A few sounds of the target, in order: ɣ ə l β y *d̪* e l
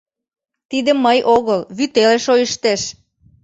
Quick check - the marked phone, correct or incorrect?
incorrect: t̪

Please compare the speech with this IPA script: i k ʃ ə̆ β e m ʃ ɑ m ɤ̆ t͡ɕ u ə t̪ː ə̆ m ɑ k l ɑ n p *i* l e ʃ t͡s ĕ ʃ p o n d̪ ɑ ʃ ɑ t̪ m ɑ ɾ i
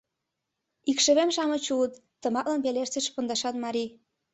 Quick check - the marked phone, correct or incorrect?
incorrect: e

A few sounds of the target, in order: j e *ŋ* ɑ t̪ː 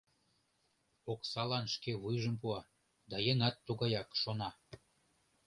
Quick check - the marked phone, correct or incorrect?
correct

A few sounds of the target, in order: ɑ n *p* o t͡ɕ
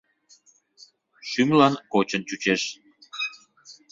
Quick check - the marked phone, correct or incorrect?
incorrect: k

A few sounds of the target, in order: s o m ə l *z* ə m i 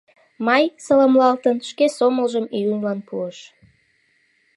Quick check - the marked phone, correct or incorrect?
incorrect: ʒ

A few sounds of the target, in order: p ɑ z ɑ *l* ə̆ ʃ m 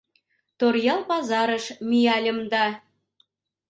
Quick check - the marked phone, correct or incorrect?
incorrect: ɾ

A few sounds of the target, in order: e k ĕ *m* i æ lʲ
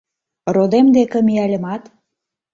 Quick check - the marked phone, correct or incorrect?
correct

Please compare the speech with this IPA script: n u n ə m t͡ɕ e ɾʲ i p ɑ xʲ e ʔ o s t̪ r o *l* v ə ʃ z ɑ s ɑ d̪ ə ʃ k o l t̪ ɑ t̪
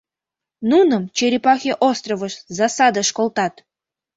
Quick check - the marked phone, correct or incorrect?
incorrect: none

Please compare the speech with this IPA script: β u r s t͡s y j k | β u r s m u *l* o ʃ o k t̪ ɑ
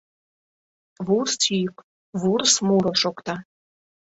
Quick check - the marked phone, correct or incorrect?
incorrect: ɾ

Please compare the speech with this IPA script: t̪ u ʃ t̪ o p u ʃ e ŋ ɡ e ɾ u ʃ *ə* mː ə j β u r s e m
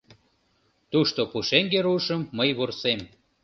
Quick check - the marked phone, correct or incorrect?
correct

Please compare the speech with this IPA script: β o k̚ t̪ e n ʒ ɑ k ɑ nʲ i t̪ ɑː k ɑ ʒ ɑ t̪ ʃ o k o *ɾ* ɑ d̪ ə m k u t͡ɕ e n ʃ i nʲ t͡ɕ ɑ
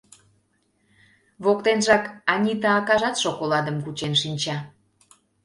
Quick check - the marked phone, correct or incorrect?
incorrect: l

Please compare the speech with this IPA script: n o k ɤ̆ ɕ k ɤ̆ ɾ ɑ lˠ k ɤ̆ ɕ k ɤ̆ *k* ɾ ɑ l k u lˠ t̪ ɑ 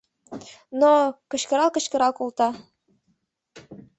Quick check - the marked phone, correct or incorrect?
incorrect: none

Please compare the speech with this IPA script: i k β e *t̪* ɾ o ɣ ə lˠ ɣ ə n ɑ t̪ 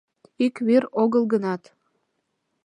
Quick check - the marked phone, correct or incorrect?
incorrect: none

